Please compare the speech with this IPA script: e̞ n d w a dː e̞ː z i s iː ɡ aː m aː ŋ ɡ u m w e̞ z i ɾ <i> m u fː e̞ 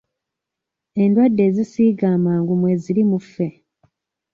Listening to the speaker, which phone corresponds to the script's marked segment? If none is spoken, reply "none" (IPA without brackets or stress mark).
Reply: i